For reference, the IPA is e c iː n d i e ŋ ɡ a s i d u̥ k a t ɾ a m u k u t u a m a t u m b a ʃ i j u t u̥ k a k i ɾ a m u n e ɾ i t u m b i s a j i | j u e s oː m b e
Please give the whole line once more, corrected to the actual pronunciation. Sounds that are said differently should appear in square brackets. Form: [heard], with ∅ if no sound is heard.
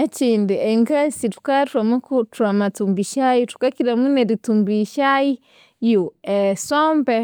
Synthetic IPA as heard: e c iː n d i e ŋ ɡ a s i [t] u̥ k a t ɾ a m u k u t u a m a t u m b [i] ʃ [a] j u t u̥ k a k i ɾ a m u n e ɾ i t u m b i [ʃ] a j i | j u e s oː m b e